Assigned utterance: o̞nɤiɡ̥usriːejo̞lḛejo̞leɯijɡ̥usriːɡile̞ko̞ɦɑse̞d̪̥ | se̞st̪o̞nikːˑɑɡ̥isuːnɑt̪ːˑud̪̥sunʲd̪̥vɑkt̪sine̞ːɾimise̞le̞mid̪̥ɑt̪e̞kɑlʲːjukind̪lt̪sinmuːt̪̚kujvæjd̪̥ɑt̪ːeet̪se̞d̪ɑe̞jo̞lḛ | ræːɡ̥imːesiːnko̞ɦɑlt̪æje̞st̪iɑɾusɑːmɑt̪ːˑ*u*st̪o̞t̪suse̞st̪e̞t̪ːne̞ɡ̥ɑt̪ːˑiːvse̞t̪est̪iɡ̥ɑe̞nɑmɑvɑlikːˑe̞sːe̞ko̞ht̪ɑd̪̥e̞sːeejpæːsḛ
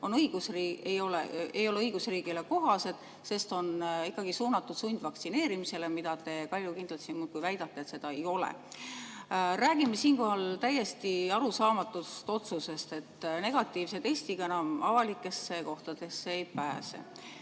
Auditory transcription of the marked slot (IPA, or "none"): u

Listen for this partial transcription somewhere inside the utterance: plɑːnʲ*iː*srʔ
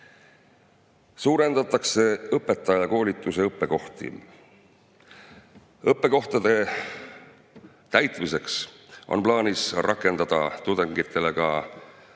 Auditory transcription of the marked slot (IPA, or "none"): i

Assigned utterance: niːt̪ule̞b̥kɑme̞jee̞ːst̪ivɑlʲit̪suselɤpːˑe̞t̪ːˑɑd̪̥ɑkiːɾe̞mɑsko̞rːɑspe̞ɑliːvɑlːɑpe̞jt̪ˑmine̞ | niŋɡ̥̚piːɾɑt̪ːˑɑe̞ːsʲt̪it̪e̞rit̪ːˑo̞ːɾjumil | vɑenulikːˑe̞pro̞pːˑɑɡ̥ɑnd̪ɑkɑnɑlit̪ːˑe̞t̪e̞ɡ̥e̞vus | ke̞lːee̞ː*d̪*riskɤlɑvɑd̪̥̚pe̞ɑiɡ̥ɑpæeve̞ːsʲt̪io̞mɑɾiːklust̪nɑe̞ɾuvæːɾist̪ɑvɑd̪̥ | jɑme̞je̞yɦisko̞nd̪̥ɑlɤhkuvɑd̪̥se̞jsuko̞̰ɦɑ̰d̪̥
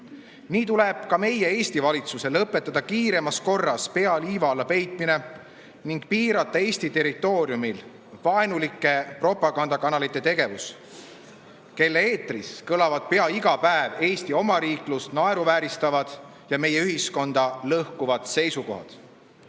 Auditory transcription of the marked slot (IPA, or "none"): t̪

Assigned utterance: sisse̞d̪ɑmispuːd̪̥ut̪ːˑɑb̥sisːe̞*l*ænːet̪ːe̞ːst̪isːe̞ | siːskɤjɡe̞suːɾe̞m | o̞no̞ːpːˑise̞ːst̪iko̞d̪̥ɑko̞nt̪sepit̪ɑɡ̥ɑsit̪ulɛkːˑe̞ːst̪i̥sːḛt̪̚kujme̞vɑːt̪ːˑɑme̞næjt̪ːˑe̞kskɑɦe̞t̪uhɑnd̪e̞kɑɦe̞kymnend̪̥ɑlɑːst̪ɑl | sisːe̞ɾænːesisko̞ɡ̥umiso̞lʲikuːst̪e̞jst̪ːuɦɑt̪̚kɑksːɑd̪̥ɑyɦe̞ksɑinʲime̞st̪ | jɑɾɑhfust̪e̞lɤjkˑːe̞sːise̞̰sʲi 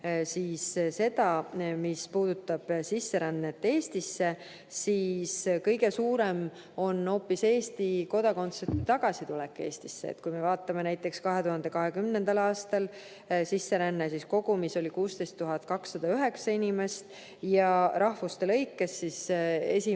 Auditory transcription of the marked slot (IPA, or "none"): ɾ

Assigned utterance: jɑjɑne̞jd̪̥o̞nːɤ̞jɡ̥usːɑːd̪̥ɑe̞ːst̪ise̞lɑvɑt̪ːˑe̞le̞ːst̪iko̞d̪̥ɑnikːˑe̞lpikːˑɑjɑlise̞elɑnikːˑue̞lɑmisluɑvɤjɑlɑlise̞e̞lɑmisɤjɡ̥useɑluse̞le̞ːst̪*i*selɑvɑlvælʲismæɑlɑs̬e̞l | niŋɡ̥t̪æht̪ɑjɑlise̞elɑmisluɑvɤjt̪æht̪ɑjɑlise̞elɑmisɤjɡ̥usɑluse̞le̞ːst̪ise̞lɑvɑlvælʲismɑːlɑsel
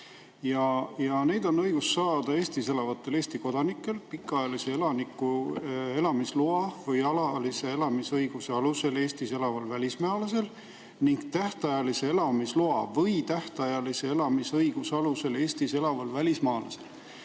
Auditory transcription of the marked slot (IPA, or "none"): i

